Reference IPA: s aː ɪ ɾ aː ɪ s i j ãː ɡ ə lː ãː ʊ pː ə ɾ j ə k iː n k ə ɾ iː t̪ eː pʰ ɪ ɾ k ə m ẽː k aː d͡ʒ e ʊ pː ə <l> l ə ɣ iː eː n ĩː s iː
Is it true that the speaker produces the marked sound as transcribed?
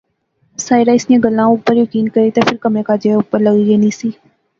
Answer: no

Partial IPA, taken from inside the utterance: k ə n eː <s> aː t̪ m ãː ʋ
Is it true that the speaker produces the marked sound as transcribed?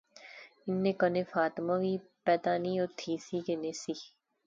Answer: no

